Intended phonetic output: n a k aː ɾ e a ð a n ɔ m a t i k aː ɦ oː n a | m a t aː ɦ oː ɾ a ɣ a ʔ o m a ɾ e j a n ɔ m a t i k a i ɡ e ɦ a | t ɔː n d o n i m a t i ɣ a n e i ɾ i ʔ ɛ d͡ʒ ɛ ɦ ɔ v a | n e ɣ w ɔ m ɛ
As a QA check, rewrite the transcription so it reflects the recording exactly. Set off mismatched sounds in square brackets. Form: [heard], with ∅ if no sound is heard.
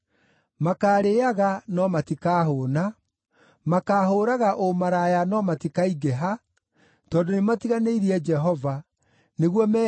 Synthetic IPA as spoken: [m] a k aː ɾ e a [ɣ] a n ɔ m a t i k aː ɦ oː n a | m a [k] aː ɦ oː ɾ a ɣ a ʔ o m a ɾ [a] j a n ɔ m a t i k a i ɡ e ɦ a | t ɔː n d o n [e] m a t i ɣ a n e i ɾ i [∅] ɛ d͡ʒ ɛ ɦ ɔ v a | n e ɣ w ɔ m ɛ